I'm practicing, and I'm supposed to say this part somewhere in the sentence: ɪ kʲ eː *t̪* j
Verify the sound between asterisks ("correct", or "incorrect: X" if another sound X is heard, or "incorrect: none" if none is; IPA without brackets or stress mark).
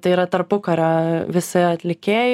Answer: incorrect: none